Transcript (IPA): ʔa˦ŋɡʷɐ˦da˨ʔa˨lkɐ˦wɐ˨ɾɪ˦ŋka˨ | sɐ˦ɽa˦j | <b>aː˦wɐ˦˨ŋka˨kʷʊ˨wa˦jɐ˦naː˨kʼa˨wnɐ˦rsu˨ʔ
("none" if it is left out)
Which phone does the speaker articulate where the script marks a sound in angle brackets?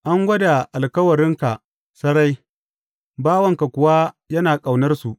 b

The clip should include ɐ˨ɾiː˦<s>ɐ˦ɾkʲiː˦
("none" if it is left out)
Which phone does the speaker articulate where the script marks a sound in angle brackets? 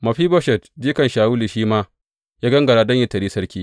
s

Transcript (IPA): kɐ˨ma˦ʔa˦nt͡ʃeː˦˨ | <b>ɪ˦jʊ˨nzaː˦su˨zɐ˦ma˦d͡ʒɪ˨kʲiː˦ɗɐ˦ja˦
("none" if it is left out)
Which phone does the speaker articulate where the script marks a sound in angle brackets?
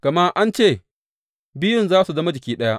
b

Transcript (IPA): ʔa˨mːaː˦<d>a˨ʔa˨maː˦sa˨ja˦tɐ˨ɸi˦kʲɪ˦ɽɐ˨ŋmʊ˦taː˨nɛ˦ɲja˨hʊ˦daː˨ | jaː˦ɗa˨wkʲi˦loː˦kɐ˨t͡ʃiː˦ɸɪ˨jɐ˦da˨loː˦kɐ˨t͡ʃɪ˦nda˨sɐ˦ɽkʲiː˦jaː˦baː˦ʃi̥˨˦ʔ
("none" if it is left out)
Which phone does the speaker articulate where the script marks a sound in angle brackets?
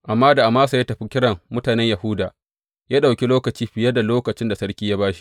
d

